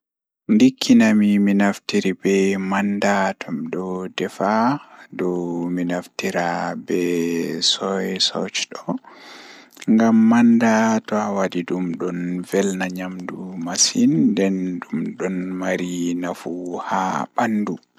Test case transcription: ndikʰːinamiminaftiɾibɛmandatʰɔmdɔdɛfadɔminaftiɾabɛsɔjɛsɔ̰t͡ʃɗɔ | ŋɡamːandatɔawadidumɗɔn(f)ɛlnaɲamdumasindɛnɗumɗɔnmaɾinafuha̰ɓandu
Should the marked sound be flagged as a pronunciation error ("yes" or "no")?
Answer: yes